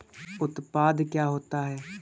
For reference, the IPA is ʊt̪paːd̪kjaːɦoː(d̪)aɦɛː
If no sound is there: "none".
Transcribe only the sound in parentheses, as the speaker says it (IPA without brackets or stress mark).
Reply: t̪